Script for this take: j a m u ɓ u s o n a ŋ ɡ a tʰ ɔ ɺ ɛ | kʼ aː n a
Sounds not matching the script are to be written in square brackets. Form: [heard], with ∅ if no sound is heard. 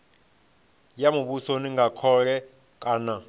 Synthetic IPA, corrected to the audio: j a m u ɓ u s o n [i] ŋ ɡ a [kʰ] ɔ ɺ ɛ | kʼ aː n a